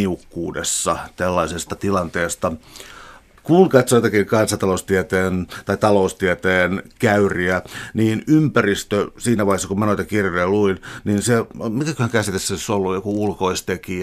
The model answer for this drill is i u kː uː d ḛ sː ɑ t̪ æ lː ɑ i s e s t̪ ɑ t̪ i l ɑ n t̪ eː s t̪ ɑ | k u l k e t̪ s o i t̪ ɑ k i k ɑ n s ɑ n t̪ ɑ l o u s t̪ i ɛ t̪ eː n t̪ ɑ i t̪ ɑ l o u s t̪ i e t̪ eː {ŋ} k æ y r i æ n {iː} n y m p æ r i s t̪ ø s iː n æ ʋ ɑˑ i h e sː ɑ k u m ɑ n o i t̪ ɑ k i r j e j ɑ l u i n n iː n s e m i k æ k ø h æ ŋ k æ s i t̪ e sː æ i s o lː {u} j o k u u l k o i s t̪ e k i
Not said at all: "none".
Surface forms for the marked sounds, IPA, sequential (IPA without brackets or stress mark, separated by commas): n, iː, u